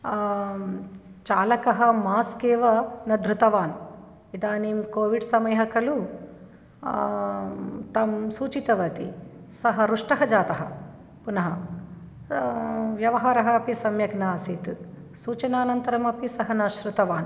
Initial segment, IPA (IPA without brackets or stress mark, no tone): t͡ʃ